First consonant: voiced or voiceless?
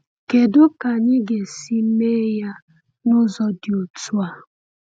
voiceless